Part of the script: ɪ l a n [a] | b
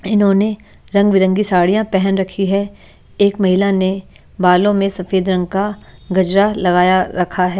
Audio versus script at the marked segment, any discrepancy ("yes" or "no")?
yes